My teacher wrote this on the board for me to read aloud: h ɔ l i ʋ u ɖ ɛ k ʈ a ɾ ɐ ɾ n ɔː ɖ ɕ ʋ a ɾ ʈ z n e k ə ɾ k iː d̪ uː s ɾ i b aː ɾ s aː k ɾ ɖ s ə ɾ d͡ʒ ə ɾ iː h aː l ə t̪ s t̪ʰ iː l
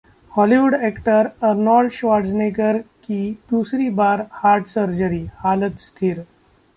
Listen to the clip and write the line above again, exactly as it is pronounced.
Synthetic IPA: h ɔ l i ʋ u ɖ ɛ k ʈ ə ɾ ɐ ɾ n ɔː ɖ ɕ ʋ a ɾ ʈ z n e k ə ɾ k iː d̪ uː s ɾ i b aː ɾ h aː ɾ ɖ s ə ɾ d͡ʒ ə ɾ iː h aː l ə t̪ s t̪ʰ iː ɾ